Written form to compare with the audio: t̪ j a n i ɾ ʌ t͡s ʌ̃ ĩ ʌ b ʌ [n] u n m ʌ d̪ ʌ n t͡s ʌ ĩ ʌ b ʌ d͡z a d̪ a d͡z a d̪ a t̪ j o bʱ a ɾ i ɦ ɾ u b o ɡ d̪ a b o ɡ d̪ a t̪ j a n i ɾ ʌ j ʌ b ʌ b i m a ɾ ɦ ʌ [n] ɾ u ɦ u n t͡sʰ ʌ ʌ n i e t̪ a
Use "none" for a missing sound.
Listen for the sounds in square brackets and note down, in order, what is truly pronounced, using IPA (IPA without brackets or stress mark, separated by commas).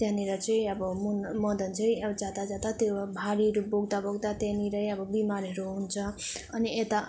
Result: m, none